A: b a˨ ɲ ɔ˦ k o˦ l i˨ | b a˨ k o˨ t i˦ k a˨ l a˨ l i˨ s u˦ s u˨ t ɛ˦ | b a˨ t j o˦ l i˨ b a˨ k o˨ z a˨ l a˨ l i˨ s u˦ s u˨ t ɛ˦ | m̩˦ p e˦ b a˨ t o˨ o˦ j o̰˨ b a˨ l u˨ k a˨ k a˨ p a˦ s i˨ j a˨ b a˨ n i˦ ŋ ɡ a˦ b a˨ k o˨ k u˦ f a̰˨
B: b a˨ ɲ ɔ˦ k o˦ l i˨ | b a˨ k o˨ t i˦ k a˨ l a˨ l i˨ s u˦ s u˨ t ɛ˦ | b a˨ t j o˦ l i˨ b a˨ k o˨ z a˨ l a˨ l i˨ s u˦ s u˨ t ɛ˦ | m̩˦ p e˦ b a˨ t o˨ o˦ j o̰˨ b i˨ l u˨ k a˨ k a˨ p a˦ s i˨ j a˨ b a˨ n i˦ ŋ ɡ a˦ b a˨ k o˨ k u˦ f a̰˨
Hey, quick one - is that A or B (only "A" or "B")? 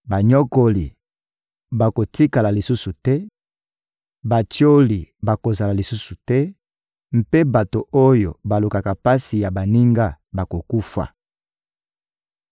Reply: A